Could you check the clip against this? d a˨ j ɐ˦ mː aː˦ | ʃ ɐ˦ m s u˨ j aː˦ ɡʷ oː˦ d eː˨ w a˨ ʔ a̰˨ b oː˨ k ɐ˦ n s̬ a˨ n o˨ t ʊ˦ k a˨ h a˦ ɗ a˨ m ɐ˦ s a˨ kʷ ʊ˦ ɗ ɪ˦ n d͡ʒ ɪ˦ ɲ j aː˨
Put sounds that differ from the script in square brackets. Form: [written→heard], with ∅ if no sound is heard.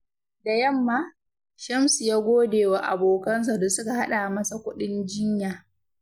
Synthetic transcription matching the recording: d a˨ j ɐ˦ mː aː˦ | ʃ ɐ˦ m s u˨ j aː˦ ɡʷ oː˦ d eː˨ w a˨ ʔ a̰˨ b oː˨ k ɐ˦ n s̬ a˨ [n→d] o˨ [t→s] ʊ˦ k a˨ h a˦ ɗ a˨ m ɐ˦ s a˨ kʷ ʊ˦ ɗ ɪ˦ n d͡ʒ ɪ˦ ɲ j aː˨